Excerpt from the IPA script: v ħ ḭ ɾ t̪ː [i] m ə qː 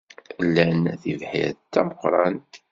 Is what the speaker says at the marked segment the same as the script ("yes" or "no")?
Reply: no